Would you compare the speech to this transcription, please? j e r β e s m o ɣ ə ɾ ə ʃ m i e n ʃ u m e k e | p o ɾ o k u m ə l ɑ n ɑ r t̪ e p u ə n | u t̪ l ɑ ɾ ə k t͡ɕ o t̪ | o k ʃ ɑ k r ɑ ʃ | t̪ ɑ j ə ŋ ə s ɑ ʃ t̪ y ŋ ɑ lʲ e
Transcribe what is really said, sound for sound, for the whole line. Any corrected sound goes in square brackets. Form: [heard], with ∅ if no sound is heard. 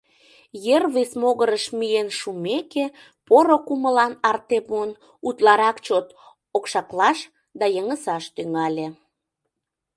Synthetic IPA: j e r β e s m o ɣ ə ɾ ə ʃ m i e n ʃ u m e k e | p o ɾ o k u m ə l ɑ n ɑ r t̪ e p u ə n | u t̪ l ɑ ɾ [ɑ] k t͡ɕ o t̪ | o k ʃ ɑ k [l] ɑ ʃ | [d̪] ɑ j ə ŋ ə s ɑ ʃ t̪ y ŋ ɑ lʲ e